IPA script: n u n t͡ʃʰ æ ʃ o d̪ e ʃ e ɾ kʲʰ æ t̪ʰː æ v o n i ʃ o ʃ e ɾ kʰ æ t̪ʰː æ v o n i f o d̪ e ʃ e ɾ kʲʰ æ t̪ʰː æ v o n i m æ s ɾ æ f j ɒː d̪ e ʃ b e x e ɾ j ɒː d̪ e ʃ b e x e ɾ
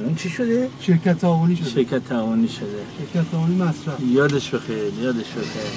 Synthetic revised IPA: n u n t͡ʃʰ i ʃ o d̪ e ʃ e ɾ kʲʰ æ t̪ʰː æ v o n i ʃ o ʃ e ɾ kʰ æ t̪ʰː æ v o n i ʃ o d̪ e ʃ e ɾ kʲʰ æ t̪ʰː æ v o n i m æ s ɾ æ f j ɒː d̪ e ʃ b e x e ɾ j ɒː d̪ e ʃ b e x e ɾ

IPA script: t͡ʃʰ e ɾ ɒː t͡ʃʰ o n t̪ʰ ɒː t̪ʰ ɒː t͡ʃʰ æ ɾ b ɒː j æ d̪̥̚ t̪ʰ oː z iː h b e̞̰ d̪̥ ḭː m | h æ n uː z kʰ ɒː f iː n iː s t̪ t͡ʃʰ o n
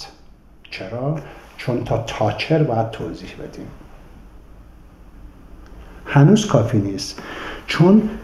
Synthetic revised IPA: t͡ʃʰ e ɾ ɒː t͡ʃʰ o n t̪ʰ ɒː t̪ʰ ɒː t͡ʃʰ e ɾ b ɒː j æ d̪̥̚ t̪ʰ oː z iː h b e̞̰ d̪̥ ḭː m | h æ n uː z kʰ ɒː f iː n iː s t̪ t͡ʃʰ o n

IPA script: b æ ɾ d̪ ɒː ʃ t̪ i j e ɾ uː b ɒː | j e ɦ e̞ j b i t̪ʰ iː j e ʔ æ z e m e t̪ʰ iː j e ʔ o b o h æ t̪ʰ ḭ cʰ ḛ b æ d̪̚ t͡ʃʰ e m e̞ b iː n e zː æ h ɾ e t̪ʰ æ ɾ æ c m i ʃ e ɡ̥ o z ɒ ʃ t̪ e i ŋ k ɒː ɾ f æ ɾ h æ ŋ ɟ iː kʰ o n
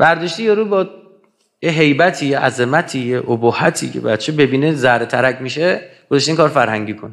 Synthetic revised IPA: b æ ɾ d̪ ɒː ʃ t̪ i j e ɾ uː b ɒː | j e ɦ e̞ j b æ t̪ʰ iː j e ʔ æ z e m æ t̪ʰ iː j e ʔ o b o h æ t̪ʰ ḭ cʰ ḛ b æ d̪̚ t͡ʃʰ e b e̞ b iː n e z æ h ɾ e t̪ʰ æ ɾ æ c m i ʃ e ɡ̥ o z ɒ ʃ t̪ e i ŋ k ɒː ɾ f æ ɾ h æ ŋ ɟ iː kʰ o n

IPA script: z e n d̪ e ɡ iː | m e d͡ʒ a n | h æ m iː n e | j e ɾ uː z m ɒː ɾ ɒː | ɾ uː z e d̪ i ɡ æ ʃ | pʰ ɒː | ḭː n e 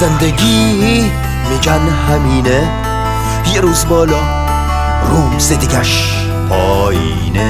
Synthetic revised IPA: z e n d̪ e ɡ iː | m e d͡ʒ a n | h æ m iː n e | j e ɾ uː z b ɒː l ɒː | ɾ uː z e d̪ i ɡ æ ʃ | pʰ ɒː | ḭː n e

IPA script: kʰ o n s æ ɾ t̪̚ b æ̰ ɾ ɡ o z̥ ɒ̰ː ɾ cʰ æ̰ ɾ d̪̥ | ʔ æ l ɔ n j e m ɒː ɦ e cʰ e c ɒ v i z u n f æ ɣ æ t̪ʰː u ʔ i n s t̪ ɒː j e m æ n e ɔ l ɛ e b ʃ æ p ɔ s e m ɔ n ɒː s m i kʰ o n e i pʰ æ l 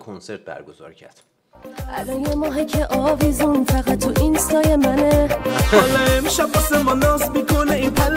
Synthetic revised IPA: kʰ o n s e ɾ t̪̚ b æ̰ ɾ ɡ o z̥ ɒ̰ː ɾ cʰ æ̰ ɾ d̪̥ | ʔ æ l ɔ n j e m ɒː ɦ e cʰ e ʔ ɒ v i z u n f æ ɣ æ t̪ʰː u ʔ i n s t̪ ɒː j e m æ n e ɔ l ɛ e m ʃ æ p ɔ s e m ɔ n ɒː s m i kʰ o n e i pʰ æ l

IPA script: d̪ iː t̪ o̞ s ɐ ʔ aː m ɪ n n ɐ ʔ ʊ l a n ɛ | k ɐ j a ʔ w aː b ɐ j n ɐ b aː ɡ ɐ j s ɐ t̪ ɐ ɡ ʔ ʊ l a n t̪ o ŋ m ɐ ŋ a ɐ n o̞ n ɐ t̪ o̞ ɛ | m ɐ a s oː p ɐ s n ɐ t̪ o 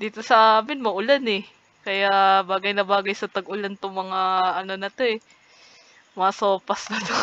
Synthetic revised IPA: d̪ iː t̪ o̞ s ɐ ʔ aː m ɪ n m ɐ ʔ ʊ l a n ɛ | k ɐ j a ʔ b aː ɡ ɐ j n ɐ b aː ɡ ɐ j s ɐ t̪ ɐ ɡ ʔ ʊ l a n t̪ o ŋ m ɐ ŋ a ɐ n o̞ n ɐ t̪ o̞ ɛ | m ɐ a s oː p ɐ s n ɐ t̪ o

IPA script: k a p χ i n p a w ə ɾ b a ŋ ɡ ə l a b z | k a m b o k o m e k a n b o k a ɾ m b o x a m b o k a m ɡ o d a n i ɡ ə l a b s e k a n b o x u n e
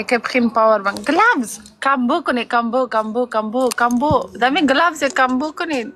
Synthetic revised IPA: k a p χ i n p a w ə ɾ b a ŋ ɡ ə l a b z | k a m b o k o n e k a m b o k a m b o k a m b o k a m b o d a m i ɡ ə l a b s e k a m b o k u n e

